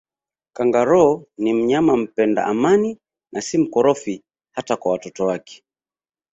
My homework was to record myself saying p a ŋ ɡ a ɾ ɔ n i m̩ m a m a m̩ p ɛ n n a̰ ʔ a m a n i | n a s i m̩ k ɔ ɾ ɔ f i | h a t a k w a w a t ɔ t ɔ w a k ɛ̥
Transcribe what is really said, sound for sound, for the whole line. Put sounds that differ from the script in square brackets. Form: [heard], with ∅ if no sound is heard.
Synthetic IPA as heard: [k] a ŋ ɡ a ɾ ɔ n i m̩ [ɲ] a m a m̩ p ɛ n [d] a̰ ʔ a m a n i | n a s i m̩ k ɔ ɾ ɔ f i | h a t a k w a w a t ɔ t ɔ w a k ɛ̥